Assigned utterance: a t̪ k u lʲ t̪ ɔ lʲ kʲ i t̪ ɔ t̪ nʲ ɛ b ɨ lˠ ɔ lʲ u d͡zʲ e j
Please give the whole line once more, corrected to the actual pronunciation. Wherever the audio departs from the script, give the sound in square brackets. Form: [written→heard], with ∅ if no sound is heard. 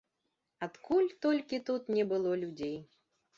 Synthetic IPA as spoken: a t̪ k u lʲ t̪ ɔ lʲ kʲ i t̪ [ɔ→u] t̪ nʲ ɛ b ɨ lˠ ɔ lʲ u d͡zʲ e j